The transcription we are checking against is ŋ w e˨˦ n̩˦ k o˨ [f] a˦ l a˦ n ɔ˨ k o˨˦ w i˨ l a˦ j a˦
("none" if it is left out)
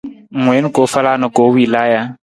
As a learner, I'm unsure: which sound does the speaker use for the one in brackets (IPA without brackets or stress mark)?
f